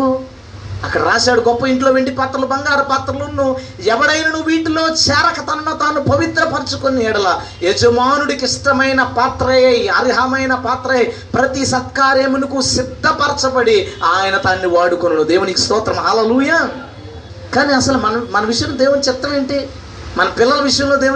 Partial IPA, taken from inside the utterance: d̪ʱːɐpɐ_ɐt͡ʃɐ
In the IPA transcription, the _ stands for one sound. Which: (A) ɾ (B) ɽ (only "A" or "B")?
A